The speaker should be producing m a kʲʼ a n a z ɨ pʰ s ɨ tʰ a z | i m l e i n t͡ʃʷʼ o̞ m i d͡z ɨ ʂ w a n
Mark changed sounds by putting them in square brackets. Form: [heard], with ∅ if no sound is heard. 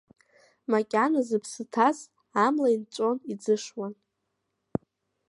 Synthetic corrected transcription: m a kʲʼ a n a z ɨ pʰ s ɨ tʰ a z | [a] m l [a] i n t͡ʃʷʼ o̞ [n] i d͡z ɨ ʂ w a n